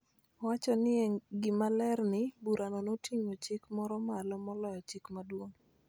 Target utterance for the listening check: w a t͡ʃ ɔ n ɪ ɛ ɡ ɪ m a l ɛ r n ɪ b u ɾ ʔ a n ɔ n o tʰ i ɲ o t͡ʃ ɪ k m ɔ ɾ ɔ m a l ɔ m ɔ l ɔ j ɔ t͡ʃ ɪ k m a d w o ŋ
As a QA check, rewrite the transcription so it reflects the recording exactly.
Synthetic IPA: w a t͡ʃ ɔ n ɪ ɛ ɡ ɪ m a l ɛ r n ɪ b u ɾ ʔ a n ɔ n o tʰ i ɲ o t͡ʃ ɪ k m ɔ ɾ ɔ m a l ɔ m ɔ l ɔ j ɔ t͡ʃ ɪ k m a d w o ŋ

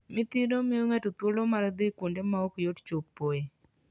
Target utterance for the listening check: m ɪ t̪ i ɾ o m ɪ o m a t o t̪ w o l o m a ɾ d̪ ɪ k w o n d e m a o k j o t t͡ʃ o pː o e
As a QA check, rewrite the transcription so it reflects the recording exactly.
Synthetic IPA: m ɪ t̪ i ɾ o m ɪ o ŋ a t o t̪ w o l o m a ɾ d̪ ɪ k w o n d e m a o k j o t t͡ʃ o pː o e

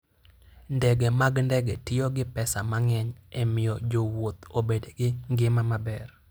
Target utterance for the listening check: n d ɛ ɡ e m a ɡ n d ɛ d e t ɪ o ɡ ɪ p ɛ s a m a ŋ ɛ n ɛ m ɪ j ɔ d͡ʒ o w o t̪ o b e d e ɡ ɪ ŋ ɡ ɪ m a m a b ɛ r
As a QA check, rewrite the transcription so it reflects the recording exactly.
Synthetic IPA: n d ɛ ɡ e m a ɡ n d ɛ ɡ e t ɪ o ɡ ɪ p ɛ s a m a ŋ ɛ ɲ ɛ m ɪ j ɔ d͡ʒ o w o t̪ o b e d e ɡ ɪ ŋ ɡ ɪ m a m a b ɛ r

